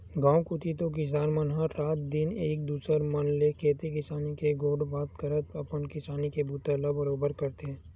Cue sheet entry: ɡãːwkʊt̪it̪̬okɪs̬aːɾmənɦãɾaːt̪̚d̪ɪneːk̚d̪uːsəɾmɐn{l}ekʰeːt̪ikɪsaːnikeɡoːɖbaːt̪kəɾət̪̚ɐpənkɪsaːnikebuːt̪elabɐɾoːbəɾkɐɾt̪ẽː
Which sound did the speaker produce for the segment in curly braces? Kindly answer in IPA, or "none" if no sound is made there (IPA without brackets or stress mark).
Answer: l